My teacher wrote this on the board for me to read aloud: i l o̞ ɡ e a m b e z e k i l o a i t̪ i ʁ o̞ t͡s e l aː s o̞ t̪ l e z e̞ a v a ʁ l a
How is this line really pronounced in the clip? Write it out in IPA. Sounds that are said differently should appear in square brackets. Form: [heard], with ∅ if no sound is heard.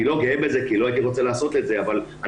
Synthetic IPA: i l o̞ ɡ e [e] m b e z e k i l o a i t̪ i ʁ o̞ t͡s e l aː s o̞ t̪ l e z e̞ a v a [∅] l a